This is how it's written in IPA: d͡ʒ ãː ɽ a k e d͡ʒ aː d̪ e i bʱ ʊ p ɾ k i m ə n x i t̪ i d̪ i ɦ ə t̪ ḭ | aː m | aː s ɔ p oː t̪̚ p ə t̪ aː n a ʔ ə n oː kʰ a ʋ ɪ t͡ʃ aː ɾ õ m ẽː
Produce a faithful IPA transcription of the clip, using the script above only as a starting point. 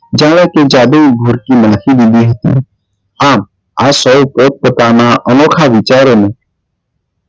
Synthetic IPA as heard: d͡ʒ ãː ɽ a k e d͡ʒ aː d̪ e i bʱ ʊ ɾ k i m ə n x i d̪ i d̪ i ɦ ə t̪ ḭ | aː m | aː s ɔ p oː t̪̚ p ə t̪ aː n a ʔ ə n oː kʰ a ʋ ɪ t͡ʃ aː ɾ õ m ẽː